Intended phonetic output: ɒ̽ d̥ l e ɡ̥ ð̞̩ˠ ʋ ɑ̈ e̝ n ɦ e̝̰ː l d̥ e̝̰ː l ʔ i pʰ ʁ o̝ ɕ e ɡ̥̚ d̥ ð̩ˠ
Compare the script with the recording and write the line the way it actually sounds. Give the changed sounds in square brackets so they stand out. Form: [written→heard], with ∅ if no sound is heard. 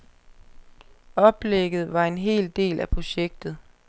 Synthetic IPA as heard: ɒ̽ [d̥→b̥] l e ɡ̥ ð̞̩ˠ ʋ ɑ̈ e̝ n ɦ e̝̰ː l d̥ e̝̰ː l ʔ [i→æ] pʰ ʁ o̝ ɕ e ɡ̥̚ d̥ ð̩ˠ